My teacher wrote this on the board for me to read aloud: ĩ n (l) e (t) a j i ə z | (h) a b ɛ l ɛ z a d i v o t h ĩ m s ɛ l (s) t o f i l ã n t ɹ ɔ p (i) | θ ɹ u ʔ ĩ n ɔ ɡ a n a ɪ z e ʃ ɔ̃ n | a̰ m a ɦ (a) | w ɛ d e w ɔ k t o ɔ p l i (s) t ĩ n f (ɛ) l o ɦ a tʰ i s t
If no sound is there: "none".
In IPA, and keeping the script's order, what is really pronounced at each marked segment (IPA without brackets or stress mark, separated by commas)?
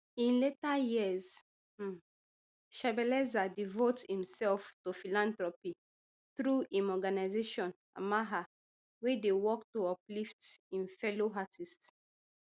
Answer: l, t, ʃ, f, i, a, f, ɛ